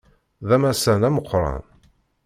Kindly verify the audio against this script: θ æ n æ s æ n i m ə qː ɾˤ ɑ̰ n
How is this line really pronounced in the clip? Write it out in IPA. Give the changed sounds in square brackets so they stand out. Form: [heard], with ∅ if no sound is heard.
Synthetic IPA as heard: [ð] æ [m] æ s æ n [æ] m ə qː ɾˤ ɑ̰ n

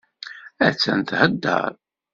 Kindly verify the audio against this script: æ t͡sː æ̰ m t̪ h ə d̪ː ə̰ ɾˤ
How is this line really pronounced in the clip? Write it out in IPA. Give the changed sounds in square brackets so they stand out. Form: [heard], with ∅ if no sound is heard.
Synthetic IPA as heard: æ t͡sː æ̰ [n] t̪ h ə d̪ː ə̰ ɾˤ

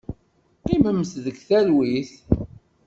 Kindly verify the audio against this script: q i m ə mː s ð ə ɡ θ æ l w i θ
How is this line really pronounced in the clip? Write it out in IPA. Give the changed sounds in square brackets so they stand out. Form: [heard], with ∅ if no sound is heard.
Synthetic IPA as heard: q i m ə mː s ð ə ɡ θ æ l w i θ

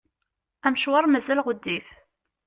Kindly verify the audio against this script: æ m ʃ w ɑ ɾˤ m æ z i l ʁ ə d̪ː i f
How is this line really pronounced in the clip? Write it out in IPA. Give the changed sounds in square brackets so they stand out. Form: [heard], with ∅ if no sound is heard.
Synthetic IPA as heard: æ m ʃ w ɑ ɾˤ m æ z [æ] l ʁ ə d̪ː i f

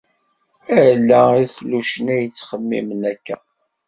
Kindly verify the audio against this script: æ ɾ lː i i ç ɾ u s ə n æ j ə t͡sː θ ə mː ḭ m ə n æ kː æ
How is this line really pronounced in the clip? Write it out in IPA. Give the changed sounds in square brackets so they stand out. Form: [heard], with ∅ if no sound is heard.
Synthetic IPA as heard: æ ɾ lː [æ] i ç [l] u [ʃ] ə n æ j ə t͡sː [χ] ə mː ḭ m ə n æ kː æ

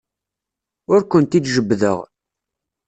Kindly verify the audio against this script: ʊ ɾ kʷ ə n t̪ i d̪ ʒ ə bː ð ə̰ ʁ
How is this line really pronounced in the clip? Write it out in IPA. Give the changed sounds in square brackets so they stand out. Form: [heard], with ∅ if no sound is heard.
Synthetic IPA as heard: ʊ ɾ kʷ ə n t̪ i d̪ ʒ ə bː ð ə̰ ʁ

